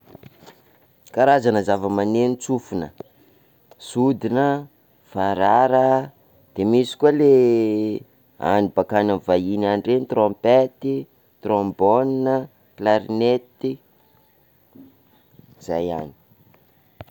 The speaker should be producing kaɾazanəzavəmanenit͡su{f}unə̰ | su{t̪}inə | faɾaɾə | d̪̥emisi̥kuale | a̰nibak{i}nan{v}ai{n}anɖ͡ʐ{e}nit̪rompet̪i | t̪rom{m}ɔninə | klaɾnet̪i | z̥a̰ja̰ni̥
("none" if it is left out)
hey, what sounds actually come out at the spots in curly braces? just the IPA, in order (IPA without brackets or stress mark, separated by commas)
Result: f, d̪, a, v, n, e, b